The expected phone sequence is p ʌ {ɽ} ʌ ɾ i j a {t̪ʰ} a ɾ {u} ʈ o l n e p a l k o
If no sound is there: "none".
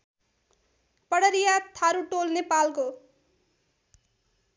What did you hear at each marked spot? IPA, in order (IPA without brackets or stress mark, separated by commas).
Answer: ɽ, t̪ʰ, u